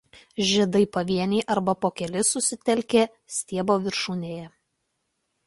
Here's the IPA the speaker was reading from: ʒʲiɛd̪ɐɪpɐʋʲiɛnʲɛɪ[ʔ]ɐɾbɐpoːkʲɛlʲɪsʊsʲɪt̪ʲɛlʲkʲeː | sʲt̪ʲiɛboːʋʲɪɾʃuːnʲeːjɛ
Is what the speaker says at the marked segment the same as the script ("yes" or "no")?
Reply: yes